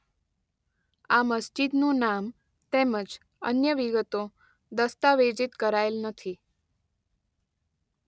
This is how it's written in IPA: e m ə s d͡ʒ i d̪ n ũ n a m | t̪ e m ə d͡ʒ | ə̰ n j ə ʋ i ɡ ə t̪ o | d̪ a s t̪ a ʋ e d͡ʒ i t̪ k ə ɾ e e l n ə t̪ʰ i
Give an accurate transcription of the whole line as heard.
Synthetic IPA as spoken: a m ə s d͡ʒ i d̪ n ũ n a m | t̪ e m ə d͡ʒ | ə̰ n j ə ʋ i ɡ ə t̪ o | d̪ ə s t̪ a ʋ e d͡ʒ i t̪ k ə ɾ a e l n ə t̪ʰ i

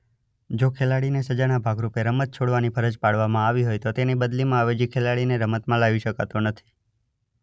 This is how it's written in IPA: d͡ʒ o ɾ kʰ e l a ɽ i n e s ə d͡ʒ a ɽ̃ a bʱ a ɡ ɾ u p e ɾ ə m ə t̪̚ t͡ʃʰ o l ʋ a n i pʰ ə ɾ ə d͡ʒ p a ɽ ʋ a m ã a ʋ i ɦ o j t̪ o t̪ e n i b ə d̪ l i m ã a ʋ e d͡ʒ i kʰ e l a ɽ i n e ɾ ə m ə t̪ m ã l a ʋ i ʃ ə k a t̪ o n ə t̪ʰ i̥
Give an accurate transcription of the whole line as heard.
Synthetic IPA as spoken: d͡ʒ o kʰ e l a ɽ i n e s ə d͡ʒ a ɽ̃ a bʱ a ɡ ɾ u p e ɾ ə m ə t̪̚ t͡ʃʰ o ɽ ʋ a n i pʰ ə ɾ ə d͡ʒ p a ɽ ʋ a m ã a ʋ i ɦ o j t̪ o t̪ e n i b ə d̪ l i m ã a ʋ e d͡ʒ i kʰ e l a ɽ i n e ɾ ə m ə t̪ m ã l a ʋ i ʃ ə k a t̪ o n ə t̪ʰ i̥

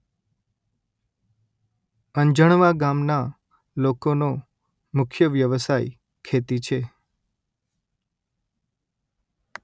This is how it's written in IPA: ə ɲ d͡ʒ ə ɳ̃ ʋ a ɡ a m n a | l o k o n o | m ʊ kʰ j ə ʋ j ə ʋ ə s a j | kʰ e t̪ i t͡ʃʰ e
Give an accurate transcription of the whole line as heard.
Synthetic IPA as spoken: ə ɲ d͡ʒ ə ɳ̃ ʋ a ɡ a m n a | l o k o n o | m ʊ kʰ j ə ʋ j ə ʋ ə s a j | kʰ e t̪ i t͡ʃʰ e

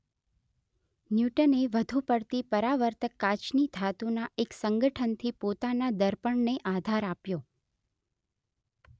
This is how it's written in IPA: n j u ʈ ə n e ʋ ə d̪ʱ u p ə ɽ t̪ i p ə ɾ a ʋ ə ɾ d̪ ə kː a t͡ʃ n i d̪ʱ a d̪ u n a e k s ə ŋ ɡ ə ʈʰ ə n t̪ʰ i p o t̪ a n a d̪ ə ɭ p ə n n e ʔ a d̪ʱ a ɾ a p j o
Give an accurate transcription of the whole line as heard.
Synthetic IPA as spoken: n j u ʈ ə n e ʋ ə d̪ʱ u p ə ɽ t̪ i p ə ɾ a ʋ ə ɾ t̪ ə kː a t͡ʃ n i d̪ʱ a t̪ u n a e k s ə ŋ ɡ ə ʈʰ ə n t̪ʰ i p o t̪ a n a d̪ ə ɾ p ə ɳ n e ʔ a d̪ʱ a ɾ a p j o

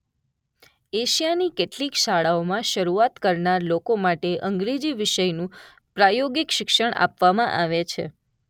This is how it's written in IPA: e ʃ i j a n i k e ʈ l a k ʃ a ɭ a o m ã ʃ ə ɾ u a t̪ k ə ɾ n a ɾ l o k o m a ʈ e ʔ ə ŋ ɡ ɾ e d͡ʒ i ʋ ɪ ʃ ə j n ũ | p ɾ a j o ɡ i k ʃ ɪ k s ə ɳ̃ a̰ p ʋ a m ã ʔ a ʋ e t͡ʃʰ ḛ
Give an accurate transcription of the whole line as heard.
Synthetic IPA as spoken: e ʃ i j a n i k e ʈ l i k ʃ a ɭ a o m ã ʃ ə ɾ u a t̪ k ə ɾ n a ɾ l o k o m a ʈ e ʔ ə ŋ ɡ ɾ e d͡ʒ i ʋ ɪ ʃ ə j n ũ | p ɾ a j o ɡ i k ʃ ɪ k ʃ ə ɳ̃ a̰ p ʋ a m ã ʔ a ʋ e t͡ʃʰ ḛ

